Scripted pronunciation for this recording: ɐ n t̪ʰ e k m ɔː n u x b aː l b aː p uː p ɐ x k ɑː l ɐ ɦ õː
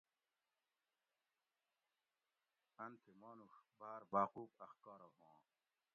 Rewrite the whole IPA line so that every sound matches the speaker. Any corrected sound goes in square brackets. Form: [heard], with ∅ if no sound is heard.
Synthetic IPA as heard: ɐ n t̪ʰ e [∅] m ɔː n u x b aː [ɾ] b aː [q] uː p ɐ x k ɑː [ɾ] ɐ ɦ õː